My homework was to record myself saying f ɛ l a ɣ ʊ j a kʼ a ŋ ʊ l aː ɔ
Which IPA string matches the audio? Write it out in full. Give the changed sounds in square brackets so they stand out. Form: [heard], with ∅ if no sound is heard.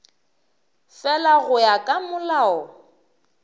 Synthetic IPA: f ɛ l a ɣ ʊ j a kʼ a [m] ʊ l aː ɔ